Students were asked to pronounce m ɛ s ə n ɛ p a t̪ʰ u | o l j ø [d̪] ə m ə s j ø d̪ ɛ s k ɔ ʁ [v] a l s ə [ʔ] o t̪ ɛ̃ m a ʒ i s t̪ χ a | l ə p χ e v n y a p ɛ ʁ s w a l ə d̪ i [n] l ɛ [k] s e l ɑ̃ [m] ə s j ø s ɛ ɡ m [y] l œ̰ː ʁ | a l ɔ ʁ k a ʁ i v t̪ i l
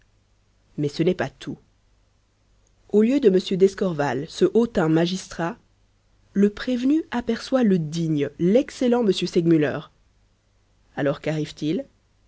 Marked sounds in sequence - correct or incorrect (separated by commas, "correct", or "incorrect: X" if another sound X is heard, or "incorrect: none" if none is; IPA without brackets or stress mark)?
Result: correct, correct, correct, incorrect: ɲ, correct, correct, correct